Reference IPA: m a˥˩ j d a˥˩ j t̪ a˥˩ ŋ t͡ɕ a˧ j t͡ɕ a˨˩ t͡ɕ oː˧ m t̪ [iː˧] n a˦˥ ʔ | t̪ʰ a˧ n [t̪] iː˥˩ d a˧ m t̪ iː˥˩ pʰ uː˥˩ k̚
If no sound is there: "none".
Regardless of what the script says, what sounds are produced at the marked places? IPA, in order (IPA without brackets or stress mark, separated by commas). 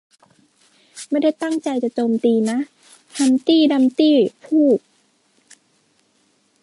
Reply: iː˧, t̪